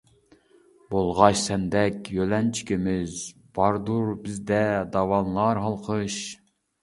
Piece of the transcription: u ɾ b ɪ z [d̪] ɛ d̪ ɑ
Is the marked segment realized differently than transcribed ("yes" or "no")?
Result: no